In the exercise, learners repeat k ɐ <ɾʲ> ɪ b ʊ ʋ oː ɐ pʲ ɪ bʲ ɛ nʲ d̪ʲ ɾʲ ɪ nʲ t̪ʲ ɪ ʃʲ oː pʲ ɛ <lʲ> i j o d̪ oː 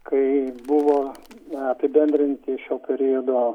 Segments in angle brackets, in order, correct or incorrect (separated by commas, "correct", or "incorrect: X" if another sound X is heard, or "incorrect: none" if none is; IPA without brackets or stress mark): incorrect: none, incorrect: ɾʲ